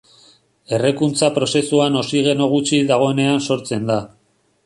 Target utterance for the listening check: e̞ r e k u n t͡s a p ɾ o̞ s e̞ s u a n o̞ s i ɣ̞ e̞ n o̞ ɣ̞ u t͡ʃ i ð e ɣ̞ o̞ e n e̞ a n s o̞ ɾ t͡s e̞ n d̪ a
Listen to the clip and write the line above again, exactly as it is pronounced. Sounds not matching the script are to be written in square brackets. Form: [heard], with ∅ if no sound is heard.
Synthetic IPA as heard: e̞ r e k u n t͡s a p ɾ o̞ s e̞ s u a n o̞ s i ɣ̞ e̞ n o̞ ɣ̞ u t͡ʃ i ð [a] ɣ̞ o̞ e n e̞ a n s o̞ ɾ t͡s e̞ n d̪ a

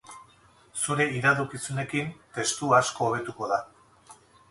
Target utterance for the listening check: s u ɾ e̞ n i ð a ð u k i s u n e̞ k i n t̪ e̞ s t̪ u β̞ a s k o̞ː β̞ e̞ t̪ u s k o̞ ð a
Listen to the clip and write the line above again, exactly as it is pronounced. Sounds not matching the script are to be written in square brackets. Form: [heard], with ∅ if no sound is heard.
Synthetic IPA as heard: s u ɾ e̞ [∅] i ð a ð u k i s u n e̞ k i n t̪ e̞ s t̪ u [∅] a s k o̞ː β̞ e̞ t̪ u [∅] k o̞ ð a

